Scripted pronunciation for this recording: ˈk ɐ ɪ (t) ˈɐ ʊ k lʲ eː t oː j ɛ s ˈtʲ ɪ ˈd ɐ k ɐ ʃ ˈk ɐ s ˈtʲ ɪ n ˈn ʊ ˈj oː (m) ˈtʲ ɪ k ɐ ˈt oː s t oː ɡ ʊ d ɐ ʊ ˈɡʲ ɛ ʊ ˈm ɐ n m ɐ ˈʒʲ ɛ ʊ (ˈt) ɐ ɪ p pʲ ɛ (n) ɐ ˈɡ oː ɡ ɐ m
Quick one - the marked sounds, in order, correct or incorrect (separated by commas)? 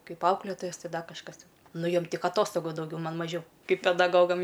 incorrect, correct, incorrect, incorrect